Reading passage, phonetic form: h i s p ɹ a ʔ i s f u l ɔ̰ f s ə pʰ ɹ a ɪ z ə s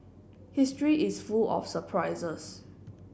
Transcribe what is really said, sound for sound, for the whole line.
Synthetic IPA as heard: h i s t ɹ i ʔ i s f u l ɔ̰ f s ə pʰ ɹ a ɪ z ə s